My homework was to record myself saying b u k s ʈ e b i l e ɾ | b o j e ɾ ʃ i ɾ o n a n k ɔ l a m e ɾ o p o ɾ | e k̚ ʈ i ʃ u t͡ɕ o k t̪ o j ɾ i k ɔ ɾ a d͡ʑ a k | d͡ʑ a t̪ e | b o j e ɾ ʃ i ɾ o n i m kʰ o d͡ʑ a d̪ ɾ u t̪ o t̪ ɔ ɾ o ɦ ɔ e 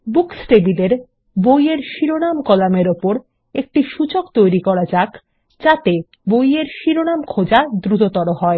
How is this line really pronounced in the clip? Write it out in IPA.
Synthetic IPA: b u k s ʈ e b i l e ɾ | b o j e ɾ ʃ i ɾ o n a m k ɔ l a m e ɾ o p o ɾ | e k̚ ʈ i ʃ u t͡ɕ o k t̪ o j ɾ i k ɔ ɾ a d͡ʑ a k | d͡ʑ a t̪ e | b o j e ɾ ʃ i ɾ o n a m kʰ o d͡ʑ a d̪ ɾ u t̪ o t̪ ɔ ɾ o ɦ ɔ e

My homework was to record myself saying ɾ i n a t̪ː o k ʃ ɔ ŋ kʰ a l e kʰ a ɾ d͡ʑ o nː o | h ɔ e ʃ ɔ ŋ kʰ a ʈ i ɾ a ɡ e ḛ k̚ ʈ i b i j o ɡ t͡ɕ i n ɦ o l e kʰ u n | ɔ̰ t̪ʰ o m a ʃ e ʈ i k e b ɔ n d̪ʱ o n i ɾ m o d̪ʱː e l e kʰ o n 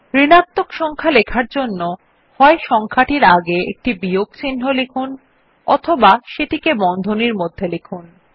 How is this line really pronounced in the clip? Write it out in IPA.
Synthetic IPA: ɾ i n a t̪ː o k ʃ ɔ ŋ kʰ a l e kʰ a ɾ d͡ʑ o nː o | h ɔ e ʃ ɔ ŋ kʰ a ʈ i ɾ a ɡ e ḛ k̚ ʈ i b i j o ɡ t͡ɕ i n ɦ o l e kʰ u n | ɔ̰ t̪ʰ o b a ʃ e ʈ i k e b ɔ n d̪ʱ o n i ɾ m o d̪ʱː e l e kʰ u n

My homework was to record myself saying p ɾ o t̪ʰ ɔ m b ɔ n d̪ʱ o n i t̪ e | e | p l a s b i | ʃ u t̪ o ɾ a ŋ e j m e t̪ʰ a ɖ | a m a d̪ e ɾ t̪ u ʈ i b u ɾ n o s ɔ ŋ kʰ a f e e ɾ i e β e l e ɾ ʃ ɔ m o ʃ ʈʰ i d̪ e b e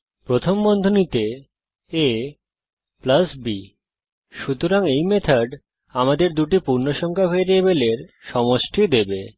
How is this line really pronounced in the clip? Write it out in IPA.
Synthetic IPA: p ɾ o t̪ʰ o m b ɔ n d̪ʱ o n i t̪ e | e | p l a s b i | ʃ u t̪ o ɾ a ŋ e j m e t̪ʰ a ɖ | a m a d̪ e ɾ d̪ u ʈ i p u ɾ n o ʃ ɔ ŋ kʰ a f e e ɾ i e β e l e ɾ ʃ ɔ m o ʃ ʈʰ i d̪ e b e

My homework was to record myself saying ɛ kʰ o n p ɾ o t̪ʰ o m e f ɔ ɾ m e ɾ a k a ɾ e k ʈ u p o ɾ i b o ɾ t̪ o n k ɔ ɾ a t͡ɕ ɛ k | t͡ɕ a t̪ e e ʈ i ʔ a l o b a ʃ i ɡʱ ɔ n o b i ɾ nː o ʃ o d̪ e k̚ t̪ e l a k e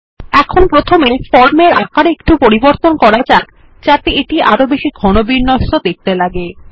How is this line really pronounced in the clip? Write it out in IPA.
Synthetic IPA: ɛ kʰ o n p ɾ o t̪ʰ o m e f ɔ ɾ m e ɾ a k a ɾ e k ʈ u p o ɾ i b o ɾ t̪ o n k ɔ ɾ a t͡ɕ a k | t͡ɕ a t̪ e e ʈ i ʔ a ɾ o b e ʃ i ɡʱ ɔ n o b i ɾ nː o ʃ o d̪ e k̚ t̪ e l a ɡ e

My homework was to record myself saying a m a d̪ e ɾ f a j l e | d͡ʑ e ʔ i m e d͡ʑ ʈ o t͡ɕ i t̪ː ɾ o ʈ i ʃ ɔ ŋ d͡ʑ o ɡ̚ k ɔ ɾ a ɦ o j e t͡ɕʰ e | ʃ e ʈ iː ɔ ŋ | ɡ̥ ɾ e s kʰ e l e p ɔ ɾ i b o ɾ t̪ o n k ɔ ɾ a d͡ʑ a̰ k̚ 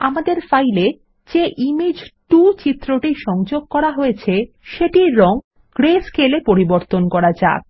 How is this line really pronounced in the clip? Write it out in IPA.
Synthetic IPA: a m a d̪ e ɾ f a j l e | d͡ʑ e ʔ i m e d͡ʑ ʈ u t͡ɕ i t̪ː ɾ o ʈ i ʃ ɔ ŋ d͡ʑ o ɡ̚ k ɔ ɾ a ɦ o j e t͡ɕʰ e | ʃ e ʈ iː ɔ ŋ | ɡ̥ ɾ e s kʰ e l e p o ɾ i b o ɾ t̪ o n k ɔ ɾ a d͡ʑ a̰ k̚

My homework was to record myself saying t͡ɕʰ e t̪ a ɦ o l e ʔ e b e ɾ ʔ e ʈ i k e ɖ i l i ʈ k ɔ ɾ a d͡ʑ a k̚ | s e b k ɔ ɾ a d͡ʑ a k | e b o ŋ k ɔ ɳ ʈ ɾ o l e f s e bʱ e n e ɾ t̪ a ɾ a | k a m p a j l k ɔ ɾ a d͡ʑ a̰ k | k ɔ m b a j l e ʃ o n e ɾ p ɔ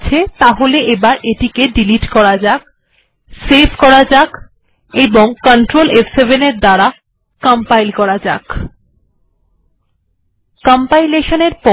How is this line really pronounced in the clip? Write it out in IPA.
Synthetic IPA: t͡ɕʰ e t̪ a ɦ o l e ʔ e b a ɾ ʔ e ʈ i k e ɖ i l i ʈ k ɔ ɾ a d͡ʑ a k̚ | s e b k ɔ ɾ a d͡ʑ a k | e b o ŋ k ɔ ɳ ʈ ɾ o l e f s e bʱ e n e ɾ d̪ a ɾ a | k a m p a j l k ɔ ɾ a d͡ʑ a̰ k | k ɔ m p a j l e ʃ o n e ɾ p ɔ

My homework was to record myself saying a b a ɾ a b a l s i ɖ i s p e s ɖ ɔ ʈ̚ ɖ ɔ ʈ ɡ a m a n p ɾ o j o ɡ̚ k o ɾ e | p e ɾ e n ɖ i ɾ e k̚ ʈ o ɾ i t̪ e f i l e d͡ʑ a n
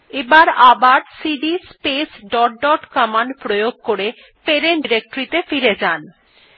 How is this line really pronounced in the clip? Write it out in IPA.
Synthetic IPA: e b a ɾ a b a ɾ s i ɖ i s p e s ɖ ɔ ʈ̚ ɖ ɔ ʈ k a m a n p ɾ o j o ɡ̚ k o ɾ e | p e ɾ e n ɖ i ɾ e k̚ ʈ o ɾ i t̪ e f i ɾ e d͡ʑ a n

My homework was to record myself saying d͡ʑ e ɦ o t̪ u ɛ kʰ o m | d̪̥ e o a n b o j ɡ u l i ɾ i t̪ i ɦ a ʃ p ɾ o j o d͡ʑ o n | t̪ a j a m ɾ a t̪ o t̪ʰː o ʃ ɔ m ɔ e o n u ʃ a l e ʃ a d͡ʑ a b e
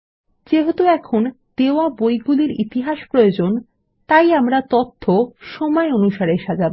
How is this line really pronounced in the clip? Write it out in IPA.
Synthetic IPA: d͡ʑ e ɦ o t̪ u ɛ kʰ o n | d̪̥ e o a b o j ɡ u l i ɾ i t̪ i ɦ a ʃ p ɾ o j o d͡ʑ o n | t̪ a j a m ɾ a t̪ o t̪ʰː o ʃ ɔ m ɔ e o n u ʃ a ɾ e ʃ a d͡ʑ a b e

